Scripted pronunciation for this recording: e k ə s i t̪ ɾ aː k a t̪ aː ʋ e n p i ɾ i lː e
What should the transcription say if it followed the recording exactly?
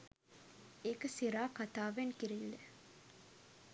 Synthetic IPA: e k ə s i ɾ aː k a t̪ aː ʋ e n k i ɾ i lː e